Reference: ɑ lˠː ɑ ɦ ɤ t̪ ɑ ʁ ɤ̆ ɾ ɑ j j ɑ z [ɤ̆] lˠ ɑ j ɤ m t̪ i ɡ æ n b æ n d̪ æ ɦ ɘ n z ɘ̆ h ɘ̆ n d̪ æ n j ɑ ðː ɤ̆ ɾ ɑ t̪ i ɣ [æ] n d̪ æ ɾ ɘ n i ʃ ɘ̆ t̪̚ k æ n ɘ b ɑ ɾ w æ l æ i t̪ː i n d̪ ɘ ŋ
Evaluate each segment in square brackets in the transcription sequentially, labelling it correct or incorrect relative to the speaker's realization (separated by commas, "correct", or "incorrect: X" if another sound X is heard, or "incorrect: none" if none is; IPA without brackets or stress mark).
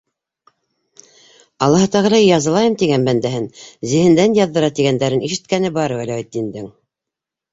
correct, correct